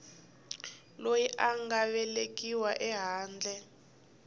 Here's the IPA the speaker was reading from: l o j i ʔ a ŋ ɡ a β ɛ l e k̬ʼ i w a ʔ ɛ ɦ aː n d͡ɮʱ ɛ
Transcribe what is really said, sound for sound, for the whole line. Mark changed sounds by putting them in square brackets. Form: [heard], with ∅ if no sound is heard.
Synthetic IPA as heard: l o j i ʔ a ŋ ɡ a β ɛ l e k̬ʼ i w a ʔ ɛ ɦ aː n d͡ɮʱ ɛ